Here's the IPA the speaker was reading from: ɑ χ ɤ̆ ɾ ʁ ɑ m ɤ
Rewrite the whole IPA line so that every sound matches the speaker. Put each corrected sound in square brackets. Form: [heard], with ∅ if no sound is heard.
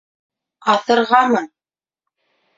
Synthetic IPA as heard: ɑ [θ] ɤ̆ ɾ ʁ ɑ m ɤ